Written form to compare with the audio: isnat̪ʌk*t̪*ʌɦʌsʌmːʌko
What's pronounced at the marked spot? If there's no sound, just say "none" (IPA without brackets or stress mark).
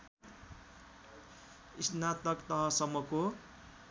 t̪